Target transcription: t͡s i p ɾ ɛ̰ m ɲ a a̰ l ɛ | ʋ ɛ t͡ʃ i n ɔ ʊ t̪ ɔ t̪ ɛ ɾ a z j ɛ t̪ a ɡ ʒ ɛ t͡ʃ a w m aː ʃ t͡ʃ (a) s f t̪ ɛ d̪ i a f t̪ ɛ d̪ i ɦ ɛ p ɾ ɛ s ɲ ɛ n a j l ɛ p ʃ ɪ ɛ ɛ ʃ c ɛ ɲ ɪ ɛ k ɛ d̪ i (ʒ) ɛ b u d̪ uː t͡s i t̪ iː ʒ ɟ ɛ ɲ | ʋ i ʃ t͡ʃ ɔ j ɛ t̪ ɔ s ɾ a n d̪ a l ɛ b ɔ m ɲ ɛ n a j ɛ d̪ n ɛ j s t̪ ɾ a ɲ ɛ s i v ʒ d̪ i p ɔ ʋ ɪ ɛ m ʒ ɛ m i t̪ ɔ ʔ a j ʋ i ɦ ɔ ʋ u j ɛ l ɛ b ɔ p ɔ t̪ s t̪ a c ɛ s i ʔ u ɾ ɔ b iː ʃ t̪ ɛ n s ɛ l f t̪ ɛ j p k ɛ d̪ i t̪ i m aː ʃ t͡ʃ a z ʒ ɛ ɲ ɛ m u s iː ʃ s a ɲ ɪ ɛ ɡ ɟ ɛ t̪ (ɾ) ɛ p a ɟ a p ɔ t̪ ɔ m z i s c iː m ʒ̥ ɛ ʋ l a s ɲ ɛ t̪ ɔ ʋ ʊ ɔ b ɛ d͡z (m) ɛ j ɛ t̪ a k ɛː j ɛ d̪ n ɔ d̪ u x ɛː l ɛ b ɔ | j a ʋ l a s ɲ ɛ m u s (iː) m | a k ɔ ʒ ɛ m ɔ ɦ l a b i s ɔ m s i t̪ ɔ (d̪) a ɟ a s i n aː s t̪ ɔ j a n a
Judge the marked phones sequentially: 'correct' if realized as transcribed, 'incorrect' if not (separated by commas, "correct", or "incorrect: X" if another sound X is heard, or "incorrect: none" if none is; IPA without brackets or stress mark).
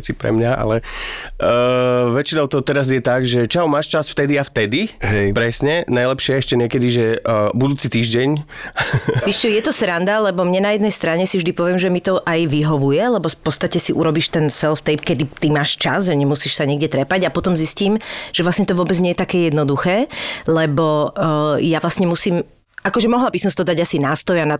correct, correct, correct, incorrect: ɲ, correct, correct